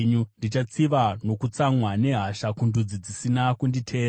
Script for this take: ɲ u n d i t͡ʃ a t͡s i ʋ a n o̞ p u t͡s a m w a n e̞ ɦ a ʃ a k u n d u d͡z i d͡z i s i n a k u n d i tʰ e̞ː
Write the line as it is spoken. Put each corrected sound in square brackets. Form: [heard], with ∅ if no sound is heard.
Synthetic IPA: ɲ u n d i t͡ʃ a t͡s i ʋ a n o̞ [k] u t͡s a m w a n e̞ ɦ a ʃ a k u n d u d͡z i d͡z i s i n a k u n d i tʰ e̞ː